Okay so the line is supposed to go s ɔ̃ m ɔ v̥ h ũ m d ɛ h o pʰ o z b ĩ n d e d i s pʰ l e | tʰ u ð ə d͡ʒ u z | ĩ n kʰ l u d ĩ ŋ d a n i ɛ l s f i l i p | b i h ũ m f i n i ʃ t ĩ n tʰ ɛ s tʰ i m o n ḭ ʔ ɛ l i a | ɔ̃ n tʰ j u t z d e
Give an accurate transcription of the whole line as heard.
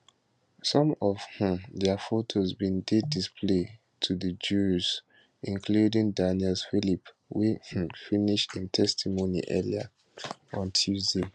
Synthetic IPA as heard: s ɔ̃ m ɔ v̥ h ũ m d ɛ f o tʰ o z b ĩ n d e d i s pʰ l e | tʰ u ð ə d͡ʒ u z | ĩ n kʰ l u d ĩ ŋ d a n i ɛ l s f i l i p | w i h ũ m f i n i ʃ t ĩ n tʰ ɛ s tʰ i m o n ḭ ʔ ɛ l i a | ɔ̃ n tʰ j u z d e